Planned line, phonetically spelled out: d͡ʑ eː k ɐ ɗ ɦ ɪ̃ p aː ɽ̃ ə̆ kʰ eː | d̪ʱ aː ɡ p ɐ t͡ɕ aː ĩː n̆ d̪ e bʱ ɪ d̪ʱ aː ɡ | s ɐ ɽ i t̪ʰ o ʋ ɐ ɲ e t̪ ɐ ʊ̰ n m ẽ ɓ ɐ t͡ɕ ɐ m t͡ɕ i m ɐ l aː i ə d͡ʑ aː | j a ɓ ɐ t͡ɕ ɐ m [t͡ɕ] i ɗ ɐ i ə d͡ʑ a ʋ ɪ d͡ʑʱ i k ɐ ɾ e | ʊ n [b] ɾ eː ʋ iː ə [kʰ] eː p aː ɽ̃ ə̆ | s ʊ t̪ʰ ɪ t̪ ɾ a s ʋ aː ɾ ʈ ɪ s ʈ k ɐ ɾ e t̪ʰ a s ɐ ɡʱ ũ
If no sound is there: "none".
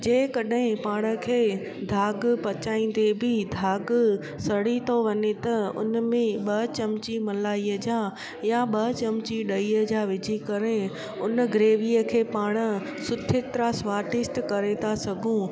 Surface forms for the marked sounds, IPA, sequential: t͡ɕ, ɡ, kʰ

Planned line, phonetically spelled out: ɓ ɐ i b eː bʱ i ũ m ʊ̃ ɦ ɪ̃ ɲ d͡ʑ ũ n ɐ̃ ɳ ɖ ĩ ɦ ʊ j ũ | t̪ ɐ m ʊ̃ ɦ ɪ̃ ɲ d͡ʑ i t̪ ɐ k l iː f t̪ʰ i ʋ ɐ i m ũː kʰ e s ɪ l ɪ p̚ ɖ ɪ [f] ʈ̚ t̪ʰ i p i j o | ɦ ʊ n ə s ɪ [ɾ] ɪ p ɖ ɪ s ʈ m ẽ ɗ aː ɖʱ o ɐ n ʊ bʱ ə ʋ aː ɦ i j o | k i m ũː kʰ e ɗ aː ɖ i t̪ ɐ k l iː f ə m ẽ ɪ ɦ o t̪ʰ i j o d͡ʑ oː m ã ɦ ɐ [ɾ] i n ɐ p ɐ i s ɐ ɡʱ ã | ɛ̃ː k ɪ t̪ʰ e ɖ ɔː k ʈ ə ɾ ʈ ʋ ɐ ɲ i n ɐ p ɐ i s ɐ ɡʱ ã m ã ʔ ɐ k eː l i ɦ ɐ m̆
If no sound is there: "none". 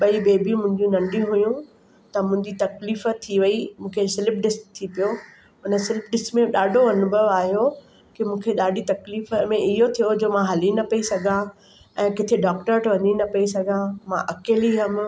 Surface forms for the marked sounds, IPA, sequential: s, l, l

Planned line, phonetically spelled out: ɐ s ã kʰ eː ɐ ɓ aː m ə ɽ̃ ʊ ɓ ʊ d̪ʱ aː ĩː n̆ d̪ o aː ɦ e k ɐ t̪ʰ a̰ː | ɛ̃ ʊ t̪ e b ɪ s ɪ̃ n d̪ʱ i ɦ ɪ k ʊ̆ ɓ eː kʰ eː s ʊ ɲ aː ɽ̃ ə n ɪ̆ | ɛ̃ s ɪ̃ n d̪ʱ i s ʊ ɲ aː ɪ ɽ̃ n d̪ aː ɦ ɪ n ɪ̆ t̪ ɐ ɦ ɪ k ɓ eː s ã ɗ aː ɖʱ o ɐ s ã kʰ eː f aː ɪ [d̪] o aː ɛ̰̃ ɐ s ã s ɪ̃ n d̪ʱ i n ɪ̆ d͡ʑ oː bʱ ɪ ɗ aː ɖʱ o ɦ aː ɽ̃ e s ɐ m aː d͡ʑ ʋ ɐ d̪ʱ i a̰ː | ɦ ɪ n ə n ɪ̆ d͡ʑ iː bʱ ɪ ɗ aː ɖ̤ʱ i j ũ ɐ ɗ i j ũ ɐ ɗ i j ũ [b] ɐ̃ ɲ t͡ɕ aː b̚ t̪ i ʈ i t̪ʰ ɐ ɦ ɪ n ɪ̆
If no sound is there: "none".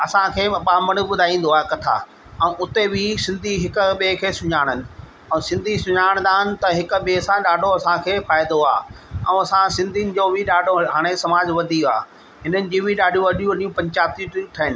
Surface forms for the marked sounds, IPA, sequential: d̪, p

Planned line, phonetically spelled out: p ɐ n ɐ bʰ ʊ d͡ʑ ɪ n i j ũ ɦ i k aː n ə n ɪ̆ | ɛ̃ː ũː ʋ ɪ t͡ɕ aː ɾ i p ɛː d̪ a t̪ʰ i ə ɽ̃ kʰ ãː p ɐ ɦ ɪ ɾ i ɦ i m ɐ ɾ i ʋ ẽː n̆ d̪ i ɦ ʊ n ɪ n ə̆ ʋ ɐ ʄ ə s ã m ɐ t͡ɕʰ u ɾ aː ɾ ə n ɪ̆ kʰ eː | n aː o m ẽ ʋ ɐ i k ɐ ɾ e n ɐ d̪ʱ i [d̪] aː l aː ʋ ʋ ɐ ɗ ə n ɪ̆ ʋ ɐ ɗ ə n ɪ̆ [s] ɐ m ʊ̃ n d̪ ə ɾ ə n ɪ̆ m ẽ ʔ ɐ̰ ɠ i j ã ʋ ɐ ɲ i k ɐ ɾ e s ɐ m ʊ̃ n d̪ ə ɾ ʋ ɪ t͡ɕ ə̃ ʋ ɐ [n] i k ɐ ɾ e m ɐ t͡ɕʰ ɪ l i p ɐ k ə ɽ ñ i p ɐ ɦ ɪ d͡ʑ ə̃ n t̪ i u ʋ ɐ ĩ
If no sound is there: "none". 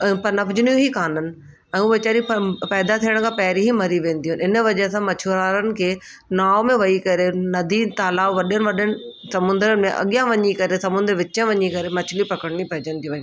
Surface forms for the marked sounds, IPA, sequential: t̪, s, ɲ

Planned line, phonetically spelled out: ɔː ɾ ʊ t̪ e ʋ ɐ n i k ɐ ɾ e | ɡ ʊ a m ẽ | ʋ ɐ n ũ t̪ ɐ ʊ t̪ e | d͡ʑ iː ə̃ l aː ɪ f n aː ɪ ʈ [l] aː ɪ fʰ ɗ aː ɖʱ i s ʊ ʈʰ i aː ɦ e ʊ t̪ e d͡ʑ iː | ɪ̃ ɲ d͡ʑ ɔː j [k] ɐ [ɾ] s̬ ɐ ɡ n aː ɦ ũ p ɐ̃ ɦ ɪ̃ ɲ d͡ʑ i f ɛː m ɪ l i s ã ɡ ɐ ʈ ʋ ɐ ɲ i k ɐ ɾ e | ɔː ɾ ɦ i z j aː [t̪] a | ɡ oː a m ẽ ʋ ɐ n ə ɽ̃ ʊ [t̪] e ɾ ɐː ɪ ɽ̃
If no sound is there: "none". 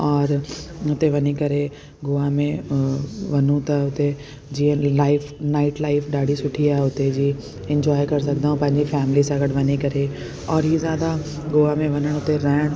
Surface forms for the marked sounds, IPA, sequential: l, k, ɾ, d̪, t̪

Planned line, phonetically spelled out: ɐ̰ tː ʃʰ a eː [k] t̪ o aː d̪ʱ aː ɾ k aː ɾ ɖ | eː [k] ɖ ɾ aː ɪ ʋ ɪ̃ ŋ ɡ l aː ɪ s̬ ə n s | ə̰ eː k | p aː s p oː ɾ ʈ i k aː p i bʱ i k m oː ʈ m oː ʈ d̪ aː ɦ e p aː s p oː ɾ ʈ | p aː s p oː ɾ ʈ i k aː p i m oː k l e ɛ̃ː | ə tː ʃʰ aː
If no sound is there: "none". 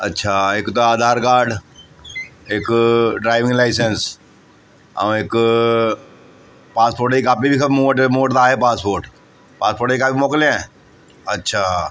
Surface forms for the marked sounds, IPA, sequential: k, k

